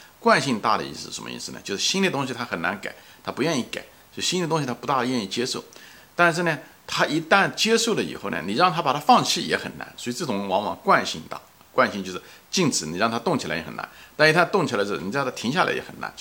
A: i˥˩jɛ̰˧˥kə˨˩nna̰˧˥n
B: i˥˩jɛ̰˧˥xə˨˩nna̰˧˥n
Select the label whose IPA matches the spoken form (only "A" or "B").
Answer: B